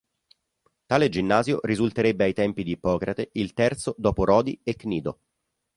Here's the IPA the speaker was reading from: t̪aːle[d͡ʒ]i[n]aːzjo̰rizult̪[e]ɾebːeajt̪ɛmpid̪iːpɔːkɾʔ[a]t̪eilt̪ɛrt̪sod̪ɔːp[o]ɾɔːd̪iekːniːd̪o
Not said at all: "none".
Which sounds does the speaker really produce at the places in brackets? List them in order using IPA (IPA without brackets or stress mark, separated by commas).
d͡ʒ, nː, e, a, o